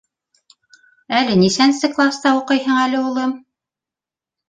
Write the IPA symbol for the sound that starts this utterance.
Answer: æ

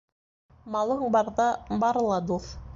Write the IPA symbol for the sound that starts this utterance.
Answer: m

